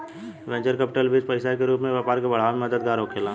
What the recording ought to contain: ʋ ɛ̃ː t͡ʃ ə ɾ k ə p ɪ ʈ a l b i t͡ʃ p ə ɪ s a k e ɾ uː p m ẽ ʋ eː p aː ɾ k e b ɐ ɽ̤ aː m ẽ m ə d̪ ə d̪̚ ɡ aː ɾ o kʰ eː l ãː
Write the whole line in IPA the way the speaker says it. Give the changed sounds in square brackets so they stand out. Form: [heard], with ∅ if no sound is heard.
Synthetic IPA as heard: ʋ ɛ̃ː t͡ʃ ə ɾ k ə p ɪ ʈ [ə] l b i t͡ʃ p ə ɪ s a k e ɾ uː p m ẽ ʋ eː p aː ɾ k e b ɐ ɽ̤ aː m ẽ m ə d̪ ə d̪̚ ɡ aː ɾ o kʰ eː l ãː